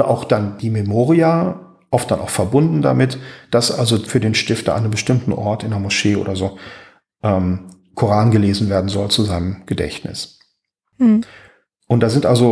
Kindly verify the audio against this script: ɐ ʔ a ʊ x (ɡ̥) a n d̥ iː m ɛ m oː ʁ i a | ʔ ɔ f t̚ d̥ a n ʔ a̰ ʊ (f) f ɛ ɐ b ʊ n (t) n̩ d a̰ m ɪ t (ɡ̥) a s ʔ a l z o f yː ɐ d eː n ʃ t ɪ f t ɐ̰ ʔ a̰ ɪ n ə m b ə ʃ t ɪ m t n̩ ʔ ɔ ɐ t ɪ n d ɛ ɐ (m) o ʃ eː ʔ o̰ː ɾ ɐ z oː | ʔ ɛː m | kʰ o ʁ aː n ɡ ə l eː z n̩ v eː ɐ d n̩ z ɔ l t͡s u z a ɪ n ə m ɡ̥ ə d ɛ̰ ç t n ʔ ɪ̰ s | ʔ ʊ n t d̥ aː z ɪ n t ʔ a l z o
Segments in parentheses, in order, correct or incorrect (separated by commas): incorrect, incorrect, incorrect, incorrect, correct